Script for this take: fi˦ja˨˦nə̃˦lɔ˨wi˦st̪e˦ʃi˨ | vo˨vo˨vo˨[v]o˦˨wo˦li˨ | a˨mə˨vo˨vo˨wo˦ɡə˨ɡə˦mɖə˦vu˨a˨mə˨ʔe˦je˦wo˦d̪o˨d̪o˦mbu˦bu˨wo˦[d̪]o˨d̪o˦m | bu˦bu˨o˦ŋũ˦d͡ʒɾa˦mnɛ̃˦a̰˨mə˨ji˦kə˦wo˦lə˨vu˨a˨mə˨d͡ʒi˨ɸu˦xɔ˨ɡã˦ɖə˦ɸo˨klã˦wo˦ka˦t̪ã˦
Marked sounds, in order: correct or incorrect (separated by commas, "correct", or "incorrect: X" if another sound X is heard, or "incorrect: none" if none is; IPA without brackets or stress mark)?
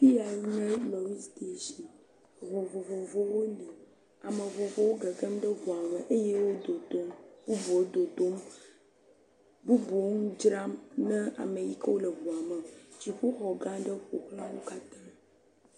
correct, correct